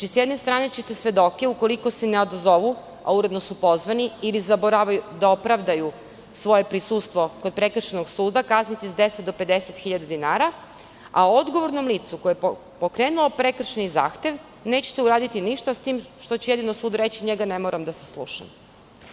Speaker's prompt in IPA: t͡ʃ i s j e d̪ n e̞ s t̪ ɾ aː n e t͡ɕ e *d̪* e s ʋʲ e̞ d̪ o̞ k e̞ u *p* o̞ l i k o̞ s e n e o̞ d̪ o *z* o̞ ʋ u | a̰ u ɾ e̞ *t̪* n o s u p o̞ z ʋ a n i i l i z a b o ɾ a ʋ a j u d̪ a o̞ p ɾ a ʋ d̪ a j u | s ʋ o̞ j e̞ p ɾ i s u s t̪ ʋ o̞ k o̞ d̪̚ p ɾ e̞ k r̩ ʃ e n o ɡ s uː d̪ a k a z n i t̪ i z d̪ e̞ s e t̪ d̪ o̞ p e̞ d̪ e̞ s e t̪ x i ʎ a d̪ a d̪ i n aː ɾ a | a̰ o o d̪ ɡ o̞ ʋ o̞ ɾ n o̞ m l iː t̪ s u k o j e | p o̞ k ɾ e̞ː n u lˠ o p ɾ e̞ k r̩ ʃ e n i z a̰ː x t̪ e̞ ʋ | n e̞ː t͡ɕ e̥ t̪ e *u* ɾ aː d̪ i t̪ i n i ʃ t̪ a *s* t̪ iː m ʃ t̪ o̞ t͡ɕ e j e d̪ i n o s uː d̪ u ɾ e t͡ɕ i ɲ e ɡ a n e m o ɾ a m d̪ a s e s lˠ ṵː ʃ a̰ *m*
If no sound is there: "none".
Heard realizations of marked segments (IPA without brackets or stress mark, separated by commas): t̪, k, z, d̪, u, s, m